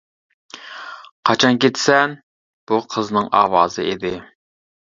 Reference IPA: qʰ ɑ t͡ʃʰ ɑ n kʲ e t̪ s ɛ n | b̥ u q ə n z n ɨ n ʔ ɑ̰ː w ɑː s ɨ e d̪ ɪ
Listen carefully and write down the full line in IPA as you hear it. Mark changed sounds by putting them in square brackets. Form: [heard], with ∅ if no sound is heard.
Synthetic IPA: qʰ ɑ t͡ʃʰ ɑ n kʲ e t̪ s ɛ n | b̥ u [qʰ] ə [∅] z n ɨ [ŋ] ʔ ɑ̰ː w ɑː [z] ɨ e d̪ ɪ